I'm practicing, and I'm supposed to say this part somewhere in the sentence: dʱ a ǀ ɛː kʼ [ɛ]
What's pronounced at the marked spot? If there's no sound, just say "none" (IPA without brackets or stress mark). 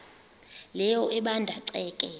ɛ